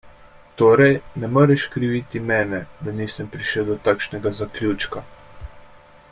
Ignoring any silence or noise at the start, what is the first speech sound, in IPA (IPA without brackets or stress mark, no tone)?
t̪